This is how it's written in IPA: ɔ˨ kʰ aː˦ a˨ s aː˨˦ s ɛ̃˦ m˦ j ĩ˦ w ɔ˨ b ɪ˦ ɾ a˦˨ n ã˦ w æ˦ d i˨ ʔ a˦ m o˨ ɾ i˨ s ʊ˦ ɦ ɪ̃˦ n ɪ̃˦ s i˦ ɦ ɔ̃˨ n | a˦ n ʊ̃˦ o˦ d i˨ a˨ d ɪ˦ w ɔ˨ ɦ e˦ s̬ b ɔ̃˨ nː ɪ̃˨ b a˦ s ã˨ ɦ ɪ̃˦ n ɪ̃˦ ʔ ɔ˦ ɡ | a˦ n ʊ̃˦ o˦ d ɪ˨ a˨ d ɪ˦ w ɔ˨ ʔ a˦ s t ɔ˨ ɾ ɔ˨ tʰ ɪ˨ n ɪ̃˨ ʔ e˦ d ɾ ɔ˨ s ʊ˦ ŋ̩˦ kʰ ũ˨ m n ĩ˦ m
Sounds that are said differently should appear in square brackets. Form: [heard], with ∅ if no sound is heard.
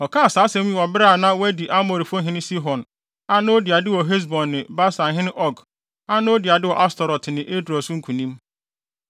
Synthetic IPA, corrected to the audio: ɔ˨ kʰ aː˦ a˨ s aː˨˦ s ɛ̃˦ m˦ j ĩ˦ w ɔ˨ b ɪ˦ ɾ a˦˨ n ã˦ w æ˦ d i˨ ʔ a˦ m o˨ ɾ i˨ [f] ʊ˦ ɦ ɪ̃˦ n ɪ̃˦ s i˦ ɦ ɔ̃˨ n | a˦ n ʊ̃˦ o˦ d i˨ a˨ d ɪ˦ w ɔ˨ ɦ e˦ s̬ b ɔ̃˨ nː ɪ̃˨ b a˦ s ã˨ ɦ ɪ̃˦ n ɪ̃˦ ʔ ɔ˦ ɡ | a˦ n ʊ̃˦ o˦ d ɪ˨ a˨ d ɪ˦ w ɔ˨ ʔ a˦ s t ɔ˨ ɾ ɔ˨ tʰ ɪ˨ n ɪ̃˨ ʔ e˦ d ɾ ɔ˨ s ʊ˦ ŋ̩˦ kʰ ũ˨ [∅] n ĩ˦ m